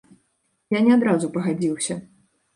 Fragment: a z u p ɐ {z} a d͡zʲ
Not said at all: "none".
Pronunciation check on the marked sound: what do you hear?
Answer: ɣ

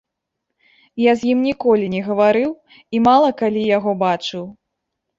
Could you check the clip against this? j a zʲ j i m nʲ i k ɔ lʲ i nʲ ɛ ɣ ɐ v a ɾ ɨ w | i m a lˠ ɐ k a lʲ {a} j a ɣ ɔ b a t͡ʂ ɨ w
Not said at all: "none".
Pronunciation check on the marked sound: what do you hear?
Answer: i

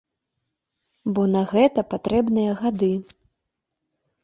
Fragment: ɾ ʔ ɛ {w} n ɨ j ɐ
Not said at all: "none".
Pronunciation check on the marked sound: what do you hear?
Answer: b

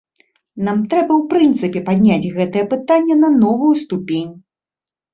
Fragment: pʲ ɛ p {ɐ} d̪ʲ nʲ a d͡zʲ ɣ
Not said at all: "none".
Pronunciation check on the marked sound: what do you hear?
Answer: a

